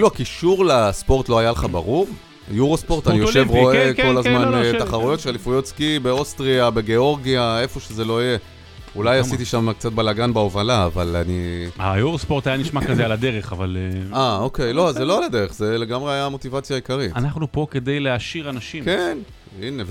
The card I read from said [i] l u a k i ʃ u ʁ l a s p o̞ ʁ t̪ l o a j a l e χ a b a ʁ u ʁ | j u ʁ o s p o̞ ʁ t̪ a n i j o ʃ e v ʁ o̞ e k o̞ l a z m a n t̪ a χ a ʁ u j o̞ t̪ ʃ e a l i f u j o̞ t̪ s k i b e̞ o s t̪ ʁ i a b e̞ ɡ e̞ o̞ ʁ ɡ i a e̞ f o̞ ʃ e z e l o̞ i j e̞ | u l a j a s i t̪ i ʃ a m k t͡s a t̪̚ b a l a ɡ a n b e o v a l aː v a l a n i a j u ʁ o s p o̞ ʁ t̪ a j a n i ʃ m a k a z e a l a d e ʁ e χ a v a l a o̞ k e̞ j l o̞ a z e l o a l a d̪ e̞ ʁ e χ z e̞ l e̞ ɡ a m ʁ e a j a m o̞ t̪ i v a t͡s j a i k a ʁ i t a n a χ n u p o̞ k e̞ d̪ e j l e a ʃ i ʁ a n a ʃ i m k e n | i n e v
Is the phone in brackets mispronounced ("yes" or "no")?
no